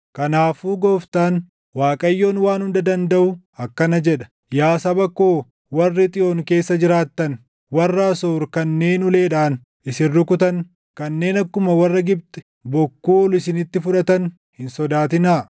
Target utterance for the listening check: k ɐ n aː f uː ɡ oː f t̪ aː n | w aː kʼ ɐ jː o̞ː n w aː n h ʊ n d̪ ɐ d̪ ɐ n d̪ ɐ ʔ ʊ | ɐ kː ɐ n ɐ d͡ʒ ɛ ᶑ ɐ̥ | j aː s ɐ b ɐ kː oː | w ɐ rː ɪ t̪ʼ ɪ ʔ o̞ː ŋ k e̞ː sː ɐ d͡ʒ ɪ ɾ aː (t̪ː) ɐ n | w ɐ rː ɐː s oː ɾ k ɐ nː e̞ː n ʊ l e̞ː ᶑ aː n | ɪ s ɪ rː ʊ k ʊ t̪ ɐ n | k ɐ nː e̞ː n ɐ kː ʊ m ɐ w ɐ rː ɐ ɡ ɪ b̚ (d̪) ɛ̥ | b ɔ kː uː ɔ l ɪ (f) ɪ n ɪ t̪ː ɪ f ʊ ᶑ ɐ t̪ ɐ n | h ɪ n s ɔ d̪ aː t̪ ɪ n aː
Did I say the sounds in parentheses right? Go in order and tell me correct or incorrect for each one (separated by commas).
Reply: correct, incorrect, incorrect